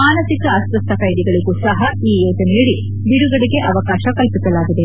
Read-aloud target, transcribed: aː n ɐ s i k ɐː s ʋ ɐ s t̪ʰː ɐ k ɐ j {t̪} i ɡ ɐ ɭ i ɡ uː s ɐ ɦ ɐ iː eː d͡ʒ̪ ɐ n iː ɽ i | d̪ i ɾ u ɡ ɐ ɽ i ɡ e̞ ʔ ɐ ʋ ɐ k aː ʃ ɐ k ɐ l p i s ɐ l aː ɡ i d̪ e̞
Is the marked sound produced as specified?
no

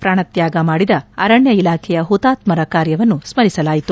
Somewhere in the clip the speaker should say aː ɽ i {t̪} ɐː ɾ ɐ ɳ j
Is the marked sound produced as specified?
no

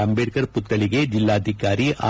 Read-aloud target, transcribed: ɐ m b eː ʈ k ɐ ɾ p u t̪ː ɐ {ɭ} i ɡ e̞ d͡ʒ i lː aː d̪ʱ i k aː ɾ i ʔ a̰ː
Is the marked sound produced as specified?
yes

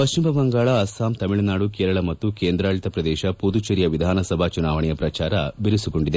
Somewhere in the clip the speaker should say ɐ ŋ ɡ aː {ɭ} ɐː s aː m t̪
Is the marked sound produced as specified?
yes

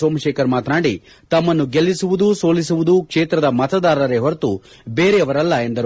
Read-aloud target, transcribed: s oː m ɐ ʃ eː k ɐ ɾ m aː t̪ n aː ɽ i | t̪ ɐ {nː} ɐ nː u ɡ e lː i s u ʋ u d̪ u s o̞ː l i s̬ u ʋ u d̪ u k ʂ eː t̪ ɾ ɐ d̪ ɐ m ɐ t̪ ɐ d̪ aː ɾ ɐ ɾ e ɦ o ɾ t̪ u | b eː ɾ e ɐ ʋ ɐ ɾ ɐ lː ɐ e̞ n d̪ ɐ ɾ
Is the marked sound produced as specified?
no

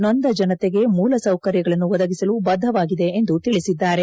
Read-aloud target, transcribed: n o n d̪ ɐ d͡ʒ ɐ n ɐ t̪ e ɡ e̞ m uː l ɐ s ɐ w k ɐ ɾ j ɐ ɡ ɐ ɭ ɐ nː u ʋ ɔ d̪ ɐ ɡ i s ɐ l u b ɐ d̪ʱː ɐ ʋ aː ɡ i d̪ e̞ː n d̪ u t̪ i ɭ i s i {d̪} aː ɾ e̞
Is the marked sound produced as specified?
no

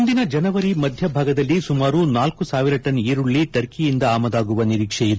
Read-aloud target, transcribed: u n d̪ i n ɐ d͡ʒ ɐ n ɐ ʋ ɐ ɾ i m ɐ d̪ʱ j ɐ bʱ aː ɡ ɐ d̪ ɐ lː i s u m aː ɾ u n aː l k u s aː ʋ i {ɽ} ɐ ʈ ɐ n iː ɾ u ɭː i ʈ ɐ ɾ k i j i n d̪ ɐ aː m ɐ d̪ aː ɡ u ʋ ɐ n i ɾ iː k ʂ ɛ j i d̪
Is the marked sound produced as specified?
no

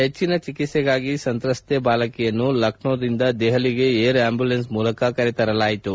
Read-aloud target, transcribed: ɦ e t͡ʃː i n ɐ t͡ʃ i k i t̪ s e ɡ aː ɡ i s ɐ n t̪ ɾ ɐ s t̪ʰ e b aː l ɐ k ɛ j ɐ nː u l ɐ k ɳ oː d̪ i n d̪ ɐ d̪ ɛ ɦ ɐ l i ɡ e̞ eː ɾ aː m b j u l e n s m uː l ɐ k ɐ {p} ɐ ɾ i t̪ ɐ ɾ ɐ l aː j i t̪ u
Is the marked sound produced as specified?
no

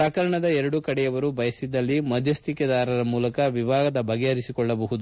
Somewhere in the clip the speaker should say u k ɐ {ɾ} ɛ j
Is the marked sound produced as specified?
no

